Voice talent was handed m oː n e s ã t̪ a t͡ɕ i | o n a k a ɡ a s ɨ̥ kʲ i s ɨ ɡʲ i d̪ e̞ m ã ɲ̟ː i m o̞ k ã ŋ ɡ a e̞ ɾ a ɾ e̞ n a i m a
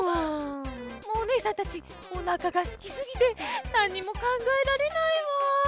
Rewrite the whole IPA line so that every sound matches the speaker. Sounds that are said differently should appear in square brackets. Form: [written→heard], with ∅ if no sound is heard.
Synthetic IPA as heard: m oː n e s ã t̪ a t͡ɕ i | o n a k a ɡ a s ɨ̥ kʲ i s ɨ ɡʲ i [d̪→t̪] e̞ [m→n] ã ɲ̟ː i m o̞ k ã ŋ ɡ a e̞ ɾ a ɾ e̞ n a i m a